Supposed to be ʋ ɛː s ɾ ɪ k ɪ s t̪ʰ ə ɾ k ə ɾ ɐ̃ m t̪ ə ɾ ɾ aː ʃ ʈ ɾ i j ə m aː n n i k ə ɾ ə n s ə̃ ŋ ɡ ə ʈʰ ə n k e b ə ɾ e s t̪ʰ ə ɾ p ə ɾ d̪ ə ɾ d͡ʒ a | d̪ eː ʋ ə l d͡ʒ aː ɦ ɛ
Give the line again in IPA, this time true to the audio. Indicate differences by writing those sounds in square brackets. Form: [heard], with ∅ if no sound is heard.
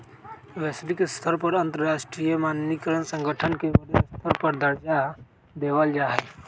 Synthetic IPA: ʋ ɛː s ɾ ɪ k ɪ s t̪ʰ ə ɾ [p] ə ɾ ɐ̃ [n] t̪ ə ɾ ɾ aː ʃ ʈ ɾ i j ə m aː n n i k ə ɾ ə n s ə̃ ŋ ɡ ə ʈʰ ə n k e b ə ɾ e s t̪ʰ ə ɾ p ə ɾ d̪ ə ɾ d͡ʒ a | d̪ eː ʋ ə l d͡ʒ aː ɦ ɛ